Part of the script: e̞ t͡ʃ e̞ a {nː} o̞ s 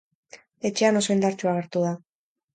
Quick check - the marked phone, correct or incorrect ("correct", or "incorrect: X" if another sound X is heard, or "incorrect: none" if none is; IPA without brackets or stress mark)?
incorrect: n